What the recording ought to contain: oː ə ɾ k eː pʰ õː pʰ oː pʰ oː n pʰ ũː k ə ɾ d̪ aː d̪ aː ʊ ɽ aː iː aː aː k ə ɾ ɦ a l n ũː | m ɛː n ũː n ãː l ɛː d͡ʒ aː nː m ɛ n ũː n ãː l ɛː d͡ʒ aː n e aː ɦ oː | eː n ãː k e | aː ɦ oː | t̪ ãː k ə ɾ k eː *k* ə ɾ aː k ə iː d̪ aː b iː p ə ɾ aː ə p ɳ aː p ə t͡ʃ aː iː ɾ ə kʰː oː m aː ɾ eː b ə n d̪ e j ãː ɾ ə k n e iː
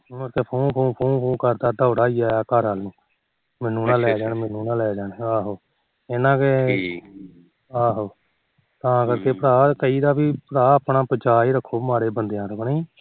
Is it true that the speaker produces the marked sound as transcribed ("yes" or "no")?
no